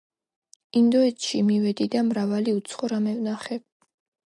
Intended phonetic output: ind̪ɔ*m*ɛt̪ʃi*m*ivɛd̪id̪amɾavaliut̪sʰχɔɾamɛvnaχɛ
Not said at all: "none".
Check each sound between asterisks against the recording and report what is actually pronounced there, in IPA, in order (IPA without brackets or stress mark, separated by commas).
none, m